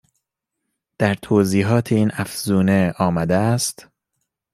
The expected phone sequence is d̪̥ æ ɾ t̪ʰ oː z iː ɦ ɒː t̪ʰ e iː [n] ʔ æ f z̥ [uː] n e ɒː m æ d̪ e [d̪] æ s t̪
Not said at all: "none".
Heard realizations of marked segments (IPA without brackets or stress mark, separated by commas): n, uː, none